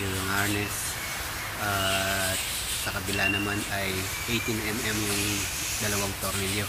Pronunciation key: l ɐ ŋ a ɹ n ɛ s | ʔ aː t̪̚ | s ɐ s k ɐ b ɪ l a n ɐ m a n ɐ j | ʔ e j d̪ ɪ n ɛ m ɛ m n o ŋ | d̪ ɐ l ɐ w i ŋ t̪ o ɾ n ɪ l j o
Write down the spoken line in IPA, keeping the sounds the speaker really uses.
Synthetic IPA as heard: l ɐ ŋ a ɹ n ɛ s | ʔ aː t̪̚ | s ɐ k ɐ b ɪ l a n ɐ m a n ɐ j | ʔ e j t̪ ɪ n ɛ m ɛ m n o ŋ | d̪ ɐ l ɐ w a ŋ t̪ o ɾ n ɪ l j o